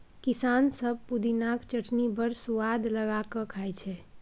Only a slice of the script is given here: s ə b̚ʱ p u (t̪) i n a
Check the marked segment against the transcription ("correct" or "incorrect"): incorrect